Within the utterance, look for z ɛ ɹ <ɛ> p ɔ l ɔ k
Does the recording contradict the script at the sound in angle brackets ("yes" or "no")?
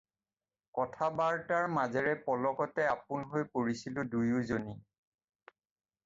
no